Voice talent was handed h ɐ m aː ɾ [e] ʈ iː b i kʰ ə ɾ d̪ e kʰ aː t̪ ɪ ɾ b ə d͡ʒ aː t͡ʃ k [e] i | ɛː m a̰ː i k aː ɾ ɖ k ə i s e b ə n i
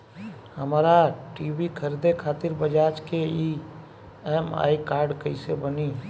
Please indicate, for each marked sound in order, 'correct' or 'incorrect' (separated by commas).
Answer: incorrect, correct